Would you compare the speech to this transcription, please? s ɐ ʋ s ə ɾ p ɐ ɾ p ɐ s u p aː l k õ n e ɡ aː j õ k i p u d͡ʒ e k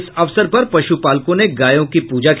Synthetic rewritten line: s ɐ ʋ s ə ɾ p ɐ ɾ p ɐ ʃ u p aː l k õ n e ɡ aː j õ k i p uː d͡ʒ a k